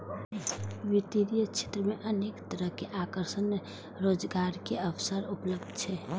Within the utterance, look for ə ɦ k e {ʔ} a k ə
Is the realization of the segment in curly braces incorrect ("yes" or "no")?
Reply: no